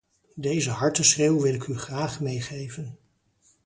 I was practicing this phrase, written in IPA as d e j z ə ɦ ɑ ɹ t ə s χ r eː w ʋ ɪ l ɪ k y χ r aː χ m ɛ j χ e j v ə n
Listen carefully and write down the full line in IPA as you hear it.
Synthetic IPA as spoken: d e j z ə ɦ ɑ ɹ t ə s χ r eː w ʋ ɪ l ɪ k y χ r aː χ m e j χ e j v ə n